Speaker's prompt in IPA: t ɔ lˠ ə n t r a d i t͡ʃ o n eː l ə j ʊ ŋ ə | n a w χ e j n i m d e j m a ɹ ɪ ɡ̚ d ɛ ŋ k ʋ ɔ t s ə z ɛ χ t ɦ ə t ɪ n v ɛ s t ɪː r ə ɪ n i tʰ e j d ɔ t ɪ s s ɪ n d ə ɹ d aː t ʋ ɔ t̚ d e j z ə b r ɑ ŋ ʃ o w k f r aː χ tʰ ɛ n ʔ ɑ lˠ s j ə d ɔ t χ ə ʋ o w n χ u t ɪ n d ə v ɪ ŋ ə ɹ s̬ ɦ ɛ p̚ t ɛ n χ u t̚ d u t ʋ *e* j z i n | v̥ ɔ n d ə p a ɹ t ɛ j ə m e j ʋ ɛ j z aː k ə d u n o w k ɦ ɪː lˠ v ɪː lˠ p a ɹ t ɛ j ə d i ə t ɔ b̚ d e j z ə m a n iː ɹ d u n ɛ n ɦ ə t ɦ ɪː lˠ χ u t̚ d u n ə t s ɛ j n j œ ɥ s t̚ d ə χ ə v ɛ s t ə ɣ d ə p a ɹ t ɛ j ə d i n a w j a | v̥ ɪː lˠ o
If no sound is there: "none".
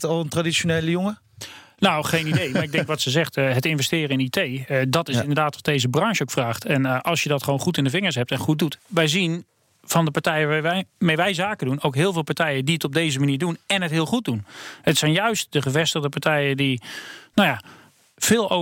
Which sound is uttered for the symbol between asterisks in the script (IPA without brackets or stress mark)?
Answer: ɛ